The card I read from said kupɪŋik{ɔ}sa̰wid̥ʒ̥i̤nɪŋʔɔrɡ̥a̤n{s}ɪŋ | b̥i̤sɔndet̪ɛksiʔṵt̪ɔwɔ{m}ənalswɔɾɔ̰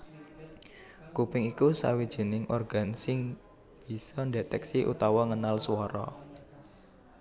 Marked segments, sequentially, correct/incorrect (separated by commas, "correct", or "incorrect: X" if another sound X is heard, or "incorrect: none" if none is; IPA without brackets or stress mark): incorrect: u, correct, incorrect: ŋ